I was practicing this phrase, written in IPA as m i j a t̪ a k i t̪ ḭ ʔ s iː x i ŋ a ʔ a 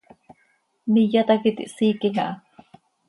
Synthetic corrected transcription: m i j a t̪ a k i t̪ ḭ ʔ s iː k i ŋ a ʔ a